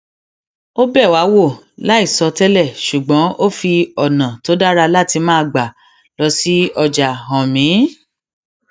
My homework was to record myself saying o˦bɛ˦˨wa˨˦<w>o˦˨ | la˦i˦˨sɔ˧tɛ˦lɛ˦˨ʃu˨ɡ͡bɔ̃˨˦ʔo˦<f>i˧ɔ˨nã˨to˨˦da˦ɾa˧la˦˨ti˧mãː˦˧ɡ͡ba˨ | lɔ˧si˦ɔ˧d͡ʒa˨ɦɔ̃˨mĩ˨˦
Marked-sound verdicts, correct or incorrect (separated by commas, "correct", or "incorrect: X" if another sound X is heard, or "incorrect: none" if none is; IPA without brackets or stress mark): correct, correct